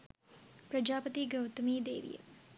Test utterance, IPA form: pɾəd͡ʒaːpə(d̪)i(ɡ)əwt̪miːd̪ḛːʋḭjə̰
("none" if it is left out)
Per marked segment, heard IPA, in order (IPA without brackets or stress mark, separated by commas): t̪, ɡ